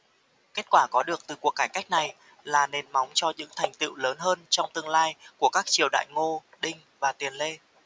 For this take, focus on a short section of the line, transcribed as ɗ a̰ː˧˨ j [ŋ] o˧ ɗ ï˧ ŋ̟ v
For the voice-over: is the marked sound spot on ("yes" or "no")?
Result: yes